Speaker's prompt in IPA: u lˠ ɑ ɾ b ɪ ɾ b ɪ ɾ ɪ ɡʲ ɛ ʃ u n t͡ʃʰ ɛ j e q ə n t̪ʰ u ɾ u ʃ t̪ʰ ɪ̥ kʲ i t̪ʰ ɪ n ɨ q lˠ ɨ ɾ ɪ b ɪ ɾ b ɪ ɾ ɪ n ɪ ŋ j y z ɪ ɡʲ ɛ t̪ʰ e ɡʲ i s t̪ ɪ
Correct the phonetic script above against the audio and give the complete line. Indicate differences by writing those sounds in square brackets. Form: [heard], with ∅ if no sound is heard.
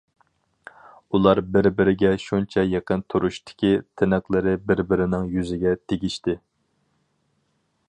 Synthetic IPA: u lˠ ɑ ɾ b ɪ ɾ b ɪ ɾ ɪ ɡʲ ɛ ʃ u n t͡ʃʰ ɛ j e q ə n t̪ʰ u ɾ u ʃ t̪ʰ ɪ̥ kʲ i t̪ʰ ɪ n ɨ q lˠ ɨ ɾ ɪ b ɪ ɾ b ɪ ɾ ɪ n ɪ ŋ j y z ɪ ɡʲ ɛ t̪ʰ e ɡʲ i [ʃ] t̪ ɪ